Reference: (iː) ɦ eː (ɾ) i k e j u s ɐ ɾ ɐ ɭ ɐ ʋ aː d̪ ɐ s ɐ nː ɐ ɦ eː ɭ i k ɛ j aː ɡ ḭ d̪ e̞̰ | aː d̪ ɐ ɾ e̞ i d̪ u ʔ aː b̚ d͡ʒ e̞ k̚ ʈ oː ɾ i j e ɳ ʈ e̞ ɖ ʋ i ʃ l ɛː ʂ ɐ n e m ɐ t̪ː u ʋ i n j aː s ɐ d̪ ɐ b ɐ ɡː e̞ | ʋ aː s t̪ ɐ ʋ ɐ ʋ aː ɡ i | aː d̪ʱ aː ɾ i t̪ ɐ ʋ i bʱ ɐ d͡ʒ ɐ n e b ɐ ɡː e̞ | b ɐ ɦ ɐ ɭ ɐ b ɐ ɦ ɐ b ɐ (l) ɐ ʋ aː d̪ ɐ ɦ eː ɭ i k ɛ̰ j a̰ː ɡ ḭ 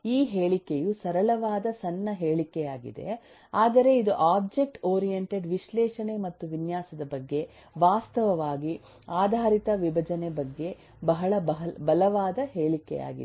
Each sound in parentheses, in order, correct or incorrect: correct, incorrect, correct

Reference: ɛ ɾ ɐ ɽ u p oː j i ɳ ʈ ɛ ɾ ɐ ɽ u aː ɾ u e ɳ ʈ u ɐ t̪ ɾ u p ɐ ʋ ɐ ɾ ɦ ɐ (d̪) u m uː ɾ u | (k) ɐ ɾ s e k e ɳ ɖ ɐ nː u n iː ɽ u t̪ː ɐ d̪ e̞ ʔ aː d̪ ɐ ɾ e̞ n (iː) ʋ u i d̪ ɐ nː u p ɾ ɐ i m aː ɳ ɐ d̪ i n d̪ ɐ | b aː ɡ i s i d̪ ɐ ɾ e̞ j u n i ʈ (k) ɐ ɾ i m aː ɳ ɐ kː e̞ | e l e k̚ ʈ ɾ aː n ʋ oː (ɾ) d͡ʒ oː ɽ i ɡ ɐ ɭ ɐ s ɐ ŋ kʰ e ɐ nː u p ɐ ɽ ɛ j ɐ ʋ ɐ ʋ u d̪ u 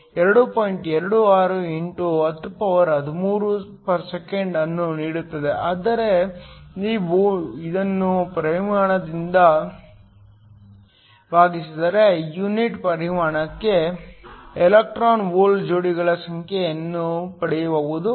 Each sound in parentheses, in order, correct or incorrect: correct, incorrect, correct, incorrect, incorrect

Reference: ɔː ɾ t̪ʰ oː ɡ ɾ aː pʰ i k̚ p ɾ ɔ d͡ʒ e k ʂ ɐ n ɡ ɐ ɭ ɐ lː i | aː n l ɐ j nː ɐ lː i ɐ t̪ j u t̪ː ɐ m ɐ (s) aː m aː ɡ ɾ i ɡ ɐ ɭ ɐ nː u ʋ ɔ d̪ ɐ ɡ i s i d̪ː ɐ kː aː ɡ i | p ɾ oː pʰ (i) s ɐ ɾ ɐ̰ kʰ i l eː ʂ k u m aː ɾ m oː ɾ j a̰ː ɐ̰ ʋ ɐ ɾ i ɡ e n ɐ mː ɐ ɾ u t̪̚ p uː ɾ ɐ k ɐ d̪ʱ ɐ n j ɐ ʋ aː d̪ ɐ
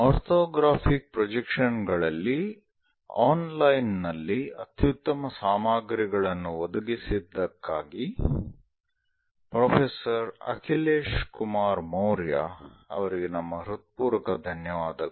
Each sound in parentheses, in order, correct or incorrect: correct, incorrect

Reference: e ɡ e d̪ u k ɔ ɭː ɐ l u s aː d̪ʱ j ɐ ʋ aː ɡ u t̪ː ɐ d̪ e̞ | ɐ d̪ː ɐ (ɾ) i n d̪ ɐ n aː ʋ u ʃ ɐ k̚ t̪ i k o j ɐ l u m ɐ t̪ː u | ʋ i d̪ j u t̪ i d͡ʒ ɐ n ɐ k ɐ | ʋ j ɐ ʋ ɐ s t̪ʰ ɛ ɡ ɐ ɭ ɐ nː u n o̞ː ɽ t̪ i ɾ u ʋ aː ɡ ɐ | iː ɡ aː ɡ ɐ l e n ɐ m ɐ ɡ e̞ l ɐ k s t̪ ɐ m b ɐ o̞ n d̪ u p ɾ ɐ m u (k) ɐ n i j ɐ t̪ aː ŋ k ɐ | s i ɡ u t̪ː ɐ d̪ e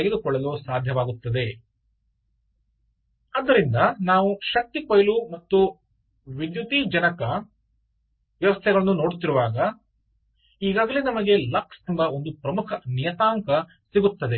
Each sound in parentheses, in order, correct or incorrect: correct, incorrect

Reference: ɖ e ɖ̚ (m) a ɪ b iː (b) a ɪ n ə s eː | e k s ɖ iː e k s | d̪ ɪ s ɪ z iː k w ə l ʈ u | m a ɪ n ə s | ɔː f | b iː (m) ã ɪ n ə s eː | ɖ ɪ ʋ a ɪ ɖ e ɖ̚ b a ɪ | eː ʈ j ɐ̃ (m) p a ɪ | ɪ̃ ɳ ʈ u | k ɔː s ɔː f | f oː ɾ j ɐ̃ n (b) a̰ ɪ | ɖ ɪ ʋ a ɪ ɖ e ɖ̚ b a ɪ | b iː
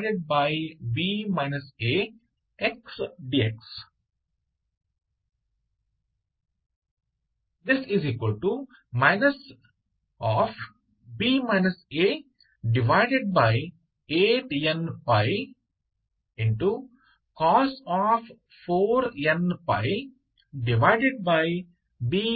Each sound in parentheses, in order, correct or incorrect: incorrect, incorrect, correct, incorrect, incorrect

